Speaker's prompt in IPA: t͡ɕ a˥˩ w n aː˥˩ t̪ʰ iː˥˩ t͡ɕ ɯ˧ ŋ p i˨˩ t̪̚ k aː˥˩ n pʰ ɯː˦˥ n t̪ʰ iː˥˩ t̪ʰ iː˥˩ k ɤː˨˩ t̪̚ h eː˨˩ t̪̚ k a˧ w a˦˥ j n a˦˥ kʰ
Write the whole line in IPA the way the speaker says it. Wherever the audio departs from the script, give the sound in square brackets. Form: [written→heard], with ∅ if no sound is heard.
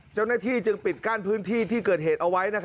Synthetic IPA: t͡ɕ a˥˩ w n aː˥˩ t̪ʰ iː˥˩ t͡ɕ ɯ˧ ŋ p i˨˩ t̪̚ k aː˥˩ n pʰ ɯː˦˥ n t̪ʰ iː˥˩ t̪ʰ iː˥˩ k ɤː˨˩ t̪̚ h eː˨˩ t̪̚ [k→ʔ] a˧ w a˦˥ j n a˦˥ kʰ